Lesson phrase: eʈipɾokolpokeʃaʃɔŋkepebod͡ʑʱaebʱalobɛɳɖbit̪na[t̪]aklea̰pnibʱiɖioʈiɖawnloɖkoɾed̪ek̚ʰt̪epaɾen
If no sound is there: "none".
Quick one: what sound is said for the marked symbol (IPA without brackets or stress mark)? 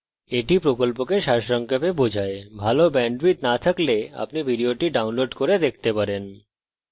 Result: t̪ʰ